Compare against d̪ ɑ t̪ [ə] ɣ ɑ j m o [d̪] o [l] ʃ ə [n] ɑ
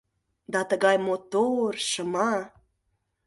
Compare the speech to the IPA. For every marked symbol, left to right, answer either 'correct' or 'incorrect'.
correct, incorrect, incorrect, incorrect

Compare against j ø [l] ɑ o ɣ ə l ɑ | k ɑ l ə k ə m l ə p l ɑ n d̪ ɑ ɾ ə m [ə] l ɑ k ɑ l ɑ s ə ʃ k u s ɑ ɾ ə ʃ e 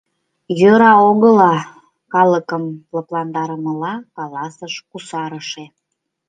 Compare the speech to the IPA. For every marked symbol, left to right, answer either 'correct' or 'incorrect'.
incorrect, correct

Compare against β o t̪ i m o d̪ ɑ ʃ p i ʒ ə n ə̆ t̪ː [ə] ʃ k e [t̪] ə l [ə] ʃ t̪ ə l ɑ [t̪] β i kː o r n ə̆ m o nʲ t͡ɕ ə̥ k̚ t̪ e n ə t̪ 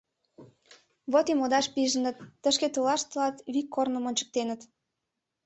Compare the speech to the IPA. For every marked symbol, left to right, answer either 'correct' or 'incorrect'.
correct, correct, incorrect, correct

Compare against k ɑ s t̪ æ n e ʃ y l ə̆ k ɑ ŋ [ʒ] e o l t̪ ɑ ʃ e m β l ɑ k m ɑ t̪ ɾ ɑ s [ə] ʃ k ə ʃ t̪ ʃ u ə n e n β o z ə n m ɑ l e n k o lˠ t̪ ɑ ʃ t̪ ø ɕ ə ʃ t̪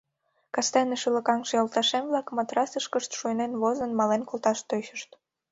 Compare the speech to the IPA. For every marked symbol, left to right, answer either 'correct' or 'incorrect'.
incorrect, correct

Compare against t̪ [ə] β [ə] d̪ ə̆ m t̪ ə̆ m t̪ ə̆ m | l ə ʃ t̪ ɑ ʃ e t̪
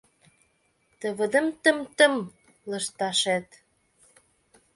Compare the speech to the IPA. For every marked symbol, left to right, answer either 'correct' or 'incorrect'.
correct, correct

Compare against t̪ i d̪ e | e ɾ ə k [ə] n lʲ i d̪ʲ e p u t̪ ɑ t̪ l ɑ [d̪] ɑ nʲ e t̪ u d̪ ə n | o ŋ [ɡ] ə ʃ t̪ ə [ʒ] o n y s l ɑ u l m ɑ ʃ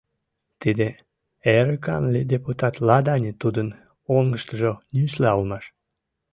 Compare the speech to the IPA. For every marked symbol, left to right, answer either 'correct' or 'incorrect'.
incorrect, correct, correct, correct

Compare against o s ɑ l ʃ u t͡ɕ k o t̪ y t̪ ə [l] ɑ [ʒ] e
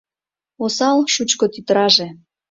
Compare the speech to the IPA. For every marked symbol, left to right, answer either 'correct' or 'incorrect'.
incorrect, correct

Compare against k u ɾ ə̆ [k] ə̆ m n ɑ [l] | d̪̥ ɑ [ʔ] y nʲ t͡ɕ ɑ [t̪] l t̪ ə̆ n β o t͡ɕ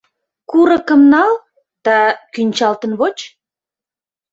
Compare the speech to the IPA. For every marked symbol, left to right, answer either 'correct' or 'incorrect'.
correct, correct, incorrect, incorrect

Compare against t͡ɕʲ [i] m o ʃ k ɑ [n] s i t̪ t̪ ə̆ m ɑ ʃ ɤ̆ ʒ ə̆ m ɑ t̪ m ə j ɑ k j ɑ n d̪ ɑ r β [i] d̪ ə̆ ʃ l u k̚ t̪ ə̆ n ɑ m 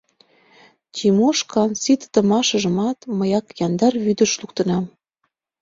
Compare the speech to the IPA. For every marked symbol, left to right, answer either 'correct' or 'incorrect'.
correct, correct, incorrect

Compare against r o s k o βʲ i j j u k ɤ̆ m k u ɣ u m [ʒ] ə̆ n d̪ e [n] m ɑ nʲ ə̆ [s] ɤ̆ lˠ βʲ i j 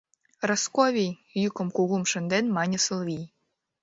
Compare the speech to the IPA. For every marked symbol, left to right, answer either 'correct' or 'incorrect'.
incorrect, correct, correct

